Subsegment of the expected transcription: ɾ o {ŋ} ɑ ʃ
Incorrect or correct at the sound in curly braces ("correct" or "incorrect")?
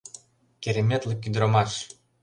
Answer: incorrect